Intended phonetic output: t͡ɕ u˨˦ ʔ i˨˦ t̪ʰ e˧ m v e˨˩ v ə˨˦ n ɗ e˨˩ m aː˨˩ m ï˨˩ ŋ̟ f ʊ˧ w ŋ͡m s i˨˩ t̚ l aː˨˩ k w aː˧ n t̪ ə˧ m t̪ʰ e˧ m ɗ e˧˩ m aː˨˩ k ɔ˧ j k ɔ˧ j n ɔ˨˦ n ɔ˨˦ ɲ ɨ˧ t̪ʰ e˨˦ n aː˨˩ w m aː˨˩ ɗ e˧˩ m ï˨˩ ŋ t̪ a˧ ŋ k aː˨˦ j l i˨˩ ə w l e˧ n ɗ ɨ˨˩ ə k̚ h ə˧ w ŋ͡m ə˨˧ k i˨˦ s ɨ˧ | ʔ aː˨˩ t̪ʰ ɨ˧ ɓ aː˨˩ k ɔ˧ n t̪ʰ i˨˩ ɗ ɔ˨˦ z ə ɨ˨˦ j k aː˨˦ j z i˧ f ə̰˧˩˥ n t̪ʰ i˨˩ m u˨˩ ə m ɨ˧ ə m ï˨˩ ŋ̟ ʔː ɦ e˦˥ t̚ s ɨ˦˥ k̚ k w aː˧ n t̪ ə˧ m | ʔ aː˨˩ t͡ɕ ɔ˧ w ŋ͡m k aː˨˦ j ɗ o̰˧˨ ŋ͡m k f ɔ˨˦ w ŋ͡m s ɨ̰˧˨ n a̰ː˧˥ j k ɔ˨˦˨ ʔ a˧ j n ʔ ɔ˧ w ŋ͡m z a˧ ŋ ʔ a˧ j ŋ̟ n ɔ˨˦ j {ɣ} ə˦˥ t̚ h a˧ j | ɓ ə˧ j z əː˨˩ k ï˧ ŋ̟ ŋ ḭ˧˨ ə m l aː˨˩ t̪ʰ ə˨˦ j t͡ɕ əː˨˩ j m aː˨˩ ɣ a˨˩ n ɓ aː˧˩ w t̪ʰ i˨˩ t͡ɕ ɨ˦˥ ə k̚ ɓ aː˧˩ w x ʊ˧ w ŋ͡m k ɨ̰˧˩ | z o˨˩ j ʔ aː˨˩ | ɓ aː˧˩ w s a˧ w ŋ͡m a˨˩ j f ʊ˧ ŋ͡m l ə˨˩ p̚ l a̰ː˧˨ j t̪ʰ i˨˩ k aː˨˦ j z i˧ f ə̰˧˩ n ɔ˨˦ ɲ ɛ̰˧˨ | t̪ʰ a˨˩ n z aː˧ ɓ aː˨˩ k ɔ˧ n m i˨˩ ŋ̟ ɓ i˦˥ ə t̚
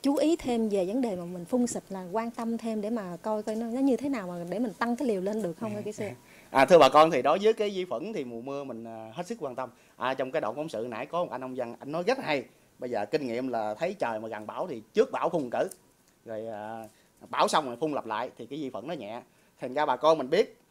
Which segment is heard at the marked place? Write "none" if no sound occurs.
ɣ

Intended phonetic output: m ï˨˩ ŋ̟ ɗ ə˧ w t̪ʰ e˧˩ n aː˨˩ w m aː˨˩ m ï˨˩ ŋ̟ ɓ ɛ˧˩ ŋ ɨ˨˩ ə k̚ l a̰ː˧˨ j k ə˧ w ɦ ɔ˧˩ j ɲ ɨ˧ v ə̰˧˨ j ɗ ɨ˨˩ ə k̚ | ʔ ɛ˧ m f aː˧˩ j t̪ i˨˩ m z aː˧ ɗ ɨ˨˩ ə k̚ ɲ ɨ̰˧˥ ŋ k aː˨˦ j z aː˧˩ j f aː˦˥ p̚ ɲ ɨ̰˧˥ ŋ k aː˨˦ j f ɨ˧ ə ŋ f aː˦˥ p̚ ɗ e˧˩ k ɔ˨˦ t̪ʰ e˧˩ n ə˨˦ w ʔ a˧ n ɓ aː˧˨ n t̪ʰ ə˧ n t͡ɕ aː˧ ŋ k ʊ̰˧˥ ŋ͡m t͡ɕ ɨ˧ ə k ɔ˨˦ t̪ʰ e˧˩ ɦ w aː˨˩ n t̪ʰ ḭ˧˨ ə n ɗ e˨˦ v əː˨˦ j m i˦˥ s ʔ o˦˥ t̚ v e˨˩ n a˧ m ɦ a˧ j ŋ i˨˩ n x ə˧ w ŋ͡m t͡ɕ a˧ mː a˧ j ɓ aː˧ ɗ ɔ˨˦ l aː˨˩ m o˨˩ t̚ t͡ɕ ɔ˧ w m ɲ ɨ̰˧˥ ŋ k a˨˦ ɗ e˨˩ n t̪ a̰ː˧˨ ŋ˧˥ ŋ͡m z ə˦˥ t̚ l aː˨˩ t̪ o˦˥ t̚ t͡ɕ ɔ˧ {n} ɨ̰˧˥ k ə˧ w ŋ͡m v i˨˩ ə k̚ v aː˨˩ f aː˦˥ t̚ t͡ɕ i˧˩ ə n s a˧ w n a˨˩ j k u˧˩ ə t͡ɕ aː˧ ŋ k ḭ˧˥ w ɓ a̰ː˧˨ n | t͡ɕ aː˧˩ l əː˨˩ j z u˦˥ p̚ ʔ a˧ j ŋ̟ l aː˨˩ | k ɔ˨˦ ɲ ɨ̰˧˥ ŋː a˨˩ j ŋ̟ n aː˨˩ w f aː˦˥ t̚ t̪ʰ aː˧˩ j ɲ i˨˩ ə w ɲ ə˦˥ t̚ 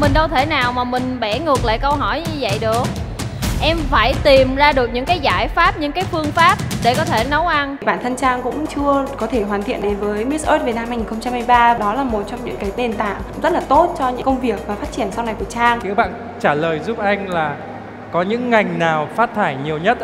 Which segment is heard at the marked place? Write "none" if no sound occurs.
ɲ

